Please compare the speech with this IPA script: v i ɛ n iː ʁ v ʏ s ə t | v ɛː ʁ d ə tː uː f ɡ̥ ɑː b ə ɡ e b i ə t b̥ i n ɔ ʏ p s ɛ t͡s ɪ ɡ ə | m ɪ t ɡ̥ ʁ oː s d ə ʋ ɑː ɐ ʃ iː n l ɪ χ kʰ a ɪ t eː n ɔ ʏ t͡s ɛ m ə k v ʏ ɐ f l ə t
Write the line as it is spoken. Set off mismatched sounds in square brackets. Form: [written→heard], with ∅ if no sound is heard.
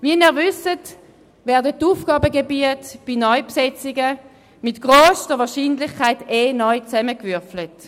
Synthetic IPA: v i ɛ n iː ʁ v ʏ s ə t | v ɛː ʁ d ə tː uː f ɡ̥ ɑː b ə ɡ e b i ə t b̥ i n ɔ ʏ p s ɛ t͡s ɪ ɡ ə | m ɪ t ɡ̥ ʁ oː s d ə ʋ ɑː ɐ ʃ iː n l ɪ χ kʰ a ɪ t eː n ɔ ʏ t͡s ɛ m ə k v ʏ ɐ f l ə t